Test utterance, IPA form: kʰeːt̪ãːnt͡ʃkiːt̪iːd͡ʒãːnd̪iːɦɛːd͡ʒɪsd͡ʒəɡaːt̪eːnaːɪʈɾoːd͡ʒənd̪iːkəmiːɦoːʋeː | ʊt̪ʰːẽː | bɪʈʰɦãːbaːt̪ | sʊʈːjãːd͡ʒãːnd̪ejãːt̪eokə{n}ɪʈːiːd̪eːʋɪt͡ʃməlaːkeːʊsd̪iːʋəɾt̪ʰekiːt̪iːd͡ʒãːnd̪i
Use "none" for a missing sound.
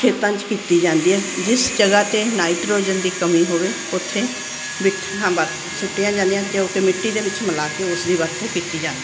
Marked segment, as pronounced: m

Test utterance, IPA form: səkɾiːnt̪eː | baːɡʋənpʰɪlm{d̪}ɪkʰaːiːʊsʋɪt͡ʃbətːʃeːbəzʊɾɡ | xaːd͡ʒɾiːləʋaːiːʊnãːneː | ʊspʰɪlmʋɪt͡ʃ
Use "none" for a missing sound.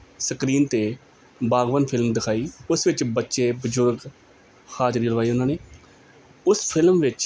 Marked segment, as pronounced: d̪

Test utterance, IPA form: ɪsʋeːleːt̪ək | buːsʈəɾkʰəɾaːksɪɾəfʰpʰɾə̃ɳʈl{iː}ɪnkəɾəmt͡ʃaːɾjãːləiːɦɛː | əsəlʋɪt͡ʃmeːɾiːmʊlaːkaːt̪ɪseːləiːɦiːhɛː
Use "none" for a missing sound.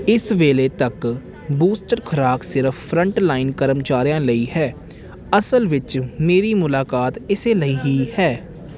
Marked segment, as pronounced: aː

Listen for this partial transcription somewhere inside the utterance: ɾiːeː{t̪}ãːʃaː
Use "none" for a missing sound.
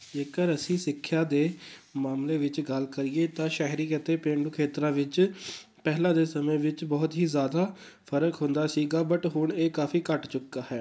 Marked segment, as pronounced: t̪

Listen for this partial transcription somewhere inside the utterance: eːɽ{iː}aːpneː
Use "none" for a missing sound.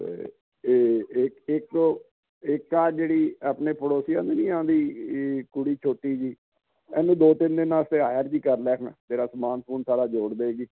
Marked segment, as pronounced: iː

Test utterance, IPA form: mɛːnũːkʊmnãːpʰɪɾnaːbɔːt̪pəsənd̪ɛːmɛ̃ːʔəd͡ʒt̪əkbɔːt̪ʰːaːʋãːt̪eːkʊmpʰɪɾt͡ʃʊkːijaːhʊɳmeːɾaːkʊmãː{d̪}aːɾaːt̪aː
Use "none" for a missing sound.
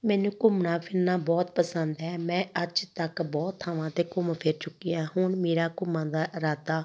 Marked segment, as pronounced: d̪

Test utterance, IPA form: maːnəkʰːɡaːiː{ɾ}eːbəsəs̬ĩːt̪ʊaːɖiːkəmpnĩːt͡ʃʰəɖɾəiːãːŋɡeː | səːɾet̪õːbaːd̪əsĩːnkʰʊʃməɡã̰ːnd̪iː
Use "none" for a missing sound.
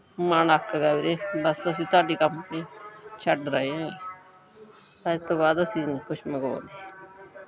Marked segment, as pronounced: ɾ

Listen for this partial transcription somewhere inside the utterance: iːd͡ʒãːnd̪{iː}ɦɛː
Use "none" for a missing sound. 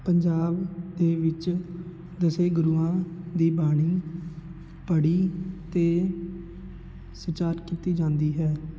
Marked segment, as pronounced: iː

